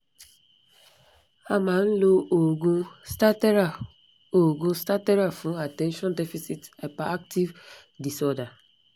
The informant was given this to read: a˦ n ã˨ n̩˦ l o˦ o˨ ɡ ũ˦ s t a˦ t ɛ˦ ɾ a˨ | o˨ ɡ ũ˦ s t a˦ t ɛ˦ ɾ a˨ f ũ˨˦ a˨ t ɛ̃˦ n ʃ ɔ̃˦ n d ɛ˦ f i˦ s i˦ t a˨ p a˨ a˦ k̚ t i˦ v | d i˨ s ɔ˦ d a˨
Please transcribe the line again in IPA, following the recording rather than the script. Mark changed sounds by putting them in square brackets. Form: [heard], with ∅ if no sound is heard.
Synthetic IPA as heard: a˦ [m] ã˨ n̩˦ l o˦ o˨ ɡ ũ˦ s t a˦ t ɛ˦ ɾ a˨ | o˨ ɡ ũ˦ s t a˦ t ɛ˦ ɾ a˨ f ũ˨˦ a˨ t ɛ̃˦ n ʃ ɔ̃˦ n d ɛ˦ f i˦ s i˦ t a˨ p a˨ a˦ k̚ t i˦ v | d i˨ s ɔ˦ d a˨

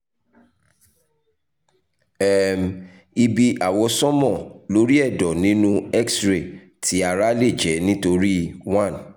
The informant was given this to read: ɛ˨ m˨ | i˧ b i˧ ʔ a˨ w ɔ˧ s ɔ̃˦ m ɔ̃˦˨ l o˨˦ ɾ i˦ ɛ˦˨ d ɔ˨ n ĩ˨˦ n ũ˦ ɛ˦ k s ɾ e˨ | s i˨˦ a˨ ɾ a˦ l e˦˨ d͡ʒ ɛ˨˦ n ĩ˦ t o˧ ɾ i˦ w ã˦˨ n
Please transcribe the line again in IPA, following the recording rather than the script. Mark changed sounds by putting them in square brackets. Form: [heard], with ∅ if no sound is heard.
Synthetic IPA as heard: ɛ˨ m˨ | i˧ b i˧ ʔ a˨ w ɔ˧ s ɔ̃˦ m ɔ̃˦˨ l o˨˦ ɾ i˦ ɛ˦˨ d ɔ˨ n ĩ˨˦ n ũ˦ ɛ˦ k s ɾ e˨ | [t] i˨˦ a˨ ɾ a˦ l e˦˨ d͡ʒ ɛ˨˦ n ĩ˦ t o˧ ɾ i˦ w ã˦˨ n

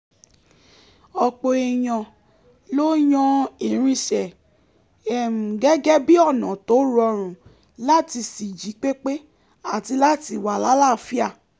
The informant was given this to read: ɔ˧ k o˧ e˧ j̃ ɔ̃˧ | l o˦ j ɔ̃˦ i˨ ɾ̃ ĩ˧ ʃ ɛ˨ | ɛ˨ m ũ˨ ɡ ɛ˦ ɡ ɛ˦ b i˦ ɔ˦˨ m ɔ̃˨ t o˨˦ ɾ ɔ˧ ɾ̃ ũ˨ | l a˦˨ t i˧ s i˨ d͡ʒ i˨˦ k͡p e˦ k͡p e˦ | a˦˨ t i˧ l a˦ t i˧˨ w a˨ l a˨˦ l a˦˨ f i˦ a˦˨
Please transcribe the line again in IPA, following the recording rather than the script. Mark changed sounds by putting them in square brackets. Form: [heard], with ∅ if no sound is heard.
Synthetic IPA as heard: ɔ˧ [k͡p] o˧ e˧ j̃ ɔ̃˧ | l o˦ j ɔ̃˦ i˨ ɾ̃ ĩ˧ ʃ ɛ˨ | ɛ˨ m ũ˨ ɡ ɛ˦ ɡ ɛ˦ b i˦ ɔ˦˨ [n] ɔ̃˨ t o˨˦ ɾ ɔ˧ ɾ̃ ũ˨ | l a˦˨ t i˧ s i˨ d͡ʒ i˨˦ k͡p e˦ k͡p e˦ | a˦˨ t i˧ l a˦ t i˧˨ w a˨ l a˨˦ l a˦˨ f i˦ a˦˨

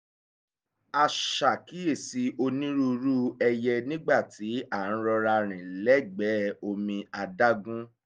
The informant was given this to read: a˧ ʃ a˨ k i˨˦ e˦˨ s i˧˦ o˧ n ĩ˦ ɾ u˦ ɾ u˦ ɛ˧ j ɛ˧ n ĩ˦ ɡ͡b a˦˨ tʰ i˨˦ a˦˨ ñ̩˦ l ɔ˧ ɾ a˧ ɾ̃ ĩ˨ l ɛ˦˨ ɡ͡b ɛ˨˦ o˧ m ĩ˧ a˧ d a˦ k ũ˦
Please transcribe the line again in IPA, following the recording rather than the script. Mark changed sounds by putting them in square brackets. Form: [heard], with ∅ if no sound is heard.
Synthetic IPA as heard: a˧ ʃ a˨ k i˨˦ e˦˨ s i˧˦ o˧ n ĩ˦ ɾ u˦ ɾ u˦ ɛ˧ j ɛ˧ n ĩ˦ ɡ͡b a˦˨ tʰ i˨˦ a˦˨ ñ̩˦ [ɾ] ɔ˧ ɾ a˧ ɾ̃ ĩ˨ l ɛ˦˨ ɡ͡b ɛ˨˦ o˧ m ĩ˧ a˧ d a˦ [ɡ] ũ˦

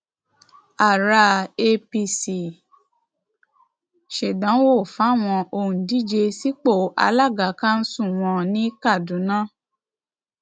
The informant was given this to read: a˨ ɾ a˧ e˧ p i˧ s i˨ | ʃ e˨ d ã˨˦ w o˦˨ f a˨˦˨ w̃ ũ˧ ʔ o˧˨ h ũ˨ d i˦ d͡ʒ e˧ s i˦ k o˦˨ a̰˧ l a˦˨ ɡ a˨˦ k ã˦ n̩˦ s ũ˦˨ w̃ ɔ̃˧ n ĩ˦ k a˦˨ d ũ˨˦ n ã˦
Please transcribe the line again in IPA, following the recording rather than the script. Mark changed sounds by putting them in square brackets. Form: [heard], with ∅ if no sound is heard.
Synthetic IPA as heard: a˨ ɾ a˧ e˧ p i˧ s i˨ | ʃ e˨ d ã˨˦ w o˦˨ f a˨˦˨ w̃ [ɔ̃˧] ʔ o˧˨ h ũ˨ d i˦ d͡ʒ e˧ s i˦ [k͡p] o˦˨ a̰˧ l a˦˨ ɡ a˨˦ k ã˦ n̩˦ s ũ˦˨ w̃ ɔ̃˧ n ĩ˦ k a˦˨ d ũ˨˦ n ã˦

